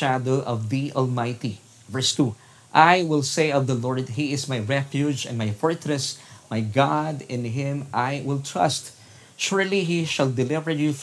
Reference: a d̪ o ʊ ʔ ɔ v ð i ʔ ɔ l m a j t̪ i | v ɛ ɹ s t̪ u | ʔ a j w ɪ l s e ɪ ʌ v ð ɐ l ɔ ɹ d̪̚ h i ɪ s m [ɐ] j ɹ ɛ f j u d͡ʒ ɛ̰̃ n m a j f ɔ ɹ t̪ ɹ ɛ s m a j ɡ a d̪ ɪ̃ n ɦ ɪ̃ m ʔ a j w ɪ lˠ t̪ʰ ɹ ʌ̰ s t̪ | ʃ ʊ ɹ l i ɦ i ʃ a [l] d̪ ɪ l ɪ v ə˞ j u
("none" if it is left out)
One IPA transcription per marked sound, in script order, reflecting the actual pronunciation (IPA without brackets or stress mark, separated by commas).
a, l